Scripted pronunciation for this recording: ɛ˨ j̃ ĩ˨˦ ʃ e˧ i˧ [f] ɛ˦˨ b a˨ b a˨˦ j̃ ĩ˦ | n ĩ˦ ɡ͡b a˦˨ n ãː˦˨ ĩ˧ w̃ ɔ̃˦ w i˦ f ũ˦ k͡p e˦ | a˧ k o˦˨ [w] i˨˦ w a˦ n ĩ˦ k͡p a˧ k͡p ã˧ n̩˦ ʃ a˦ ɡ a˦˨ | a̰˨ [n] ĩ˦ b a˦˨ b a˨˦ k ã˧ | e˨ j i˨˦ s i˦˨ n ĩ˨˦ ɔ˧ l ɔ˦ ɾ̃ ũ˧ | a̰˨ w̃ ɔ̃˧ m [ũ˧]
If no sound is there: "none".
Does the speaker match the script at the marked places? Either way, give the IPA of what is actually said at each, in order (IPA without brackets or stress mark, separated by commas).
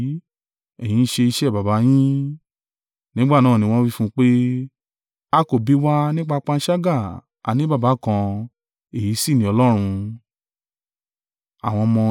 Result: ʃ, b, n, ɔ̃˧